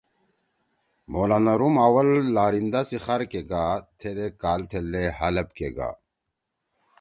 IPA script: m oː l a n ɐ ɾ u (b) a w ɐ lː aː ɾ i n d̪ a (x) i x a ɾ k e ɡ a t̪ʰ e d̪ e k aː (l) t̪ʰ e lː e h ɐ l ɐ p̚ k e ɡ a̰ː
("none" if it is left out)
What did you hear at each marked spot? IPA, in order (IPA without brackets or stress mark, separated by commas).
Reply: m, s, l